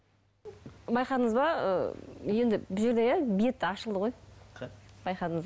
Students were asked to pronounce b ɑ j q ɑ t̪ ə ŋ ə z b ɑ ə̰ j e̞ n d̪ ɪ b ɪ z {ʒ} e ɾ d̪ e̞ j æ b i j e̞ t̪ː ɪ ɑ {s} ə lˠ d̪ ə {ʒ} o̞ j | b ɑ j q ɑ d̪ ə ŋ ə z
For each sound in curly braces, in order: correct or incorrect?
correct, incorrect: ʃ, incorrect: ʁ

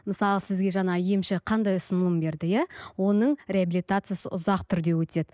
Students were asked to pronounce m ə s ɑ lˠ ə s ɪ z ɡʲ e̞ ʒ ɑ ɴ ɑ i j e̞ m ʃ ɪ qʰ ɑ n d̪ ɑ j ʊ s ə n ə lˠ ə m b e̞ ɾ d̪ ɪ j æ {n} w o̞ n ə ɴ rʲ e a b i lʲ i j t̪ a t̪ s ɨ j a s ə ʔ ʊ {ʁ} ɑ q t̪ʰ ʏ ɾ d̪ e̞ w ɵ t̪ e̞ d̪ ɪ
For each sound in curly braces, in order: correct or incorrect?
incorrect: none, incorrect: z

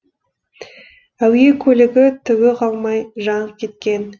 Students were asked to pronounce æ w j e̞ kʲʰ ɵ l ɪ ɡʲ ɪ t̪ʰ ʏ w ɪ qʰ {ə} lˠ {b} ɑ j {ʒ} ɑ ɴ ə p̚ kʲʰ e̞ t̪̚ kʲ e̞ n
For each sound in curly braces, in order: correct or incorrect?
incorrect: ɑ, incorrect: m, correct

